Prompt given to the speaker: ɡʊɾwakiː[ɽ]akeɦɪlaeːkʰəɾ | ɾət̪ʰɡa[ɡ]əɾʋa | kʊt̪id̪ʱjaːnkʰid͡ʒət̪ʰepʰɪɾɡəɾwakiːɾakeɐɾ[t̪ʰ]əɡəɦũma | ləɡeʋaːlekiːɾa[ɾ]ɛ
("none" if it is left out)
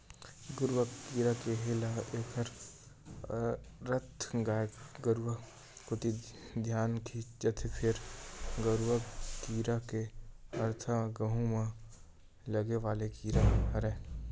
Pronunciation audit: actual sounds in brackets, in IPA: ɾ, ɡ, t̪ʰ, ɾ

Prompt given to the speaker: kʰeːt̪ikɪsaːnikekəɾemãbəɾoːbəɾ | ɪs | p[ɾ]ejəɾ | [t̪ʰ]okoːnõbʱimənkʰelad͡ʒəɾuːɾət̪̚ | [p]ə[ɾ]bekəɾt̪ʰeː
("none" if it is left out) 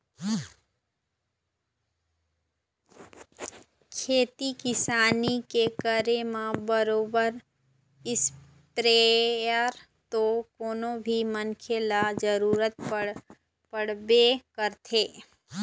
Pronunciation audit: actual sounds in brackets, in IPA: ɾ, t̪, p, ɽ

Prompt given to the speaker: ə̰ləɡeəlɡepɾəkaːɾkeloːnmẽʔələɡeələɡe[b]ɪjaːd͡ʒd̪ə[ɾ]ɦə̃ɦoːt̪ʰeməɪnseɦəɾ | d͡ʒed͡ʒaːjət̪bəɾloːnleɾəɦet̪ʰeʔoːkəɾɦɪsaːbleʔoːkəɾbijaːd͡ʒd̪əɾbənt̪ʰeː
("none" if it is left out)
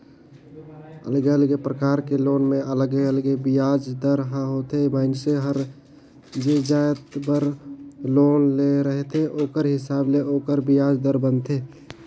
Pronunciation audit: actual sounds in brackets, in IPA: b, ɾ

